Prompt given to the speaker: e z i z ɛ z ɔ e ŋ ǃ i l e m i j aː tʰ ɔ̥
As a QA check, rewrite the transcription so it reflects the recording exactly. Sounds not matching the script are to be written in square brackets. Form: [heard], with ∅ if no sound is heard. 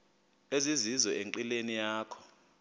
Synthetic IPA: e z i z [i] z ɔ e ŋ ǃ i l e [n] i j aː [kʰ] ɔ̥

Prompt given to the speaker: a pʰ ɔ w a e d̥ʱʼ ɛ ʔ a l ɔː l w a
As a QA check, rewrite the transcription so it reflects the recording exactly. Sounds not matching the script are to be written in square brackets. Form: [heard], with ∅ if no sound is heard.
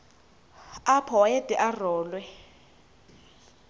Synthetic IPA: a pʰ ɔ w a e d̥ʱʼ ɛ ʔ a [r] ɔː l w [ɛ]

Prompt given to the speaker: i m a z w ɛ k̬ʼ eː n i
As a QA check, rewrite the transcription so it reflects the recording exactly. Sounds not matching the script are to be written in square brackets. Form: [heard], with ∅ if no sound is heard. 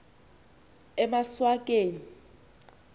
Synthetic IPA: [ɛ] m a [s] w [a] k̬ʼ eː n i

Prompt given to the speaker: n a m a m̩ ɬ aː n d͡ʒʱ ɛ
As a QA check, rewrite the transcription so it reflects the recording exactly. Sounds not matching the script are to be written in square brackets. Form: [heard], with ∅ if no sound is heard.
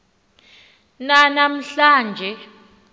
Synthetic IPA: n a [n] a m̩ ɬ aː n d͡ʒʱ ɛ

